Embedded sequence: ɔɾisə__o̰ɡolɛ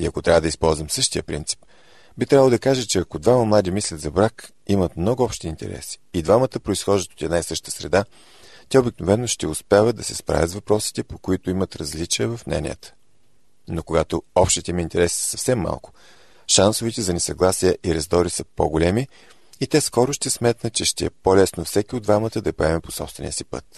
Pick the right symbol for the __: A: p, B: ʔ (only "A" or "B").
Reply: A